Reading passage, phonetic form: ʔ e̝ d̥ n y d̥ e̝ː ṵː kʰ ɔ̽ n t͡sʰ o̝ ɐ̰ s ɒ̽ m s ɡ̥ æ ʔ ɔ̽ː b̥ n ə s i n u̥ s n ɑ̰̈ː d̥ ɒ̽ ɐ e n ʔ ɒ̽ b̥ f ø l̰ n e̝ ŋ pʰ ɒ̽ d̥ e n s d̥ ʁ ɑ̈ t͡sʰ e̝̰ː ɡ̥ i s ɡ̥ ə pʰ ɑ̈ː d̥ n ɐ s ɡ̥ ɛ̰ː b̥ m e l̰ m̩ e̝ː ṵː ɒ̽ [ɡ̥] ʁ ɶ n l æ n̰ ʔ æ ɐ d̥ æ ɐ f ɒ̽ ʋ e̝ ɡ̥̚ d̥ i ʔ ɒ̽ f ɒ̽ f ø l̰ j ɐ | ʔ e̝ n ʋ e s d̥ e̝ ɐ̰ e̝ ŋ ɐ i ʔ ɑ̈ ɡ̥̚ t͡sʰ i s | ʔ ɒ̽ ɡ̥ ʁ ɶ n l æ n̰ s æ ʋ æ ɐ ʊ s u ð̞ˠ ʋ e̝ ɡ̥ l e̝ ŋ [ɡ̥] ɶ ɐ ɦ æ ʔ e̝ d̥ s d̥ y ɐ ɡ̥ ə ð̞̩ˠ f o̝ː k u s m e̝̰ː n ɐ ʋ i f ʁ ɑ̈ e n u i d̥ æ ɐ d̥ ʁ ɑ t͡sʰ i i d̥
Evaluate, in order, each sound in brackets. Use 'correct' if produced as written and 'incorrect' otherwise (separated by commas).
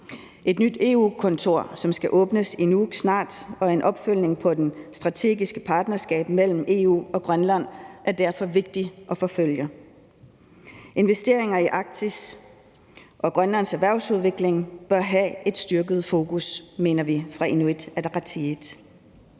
correct, incorrect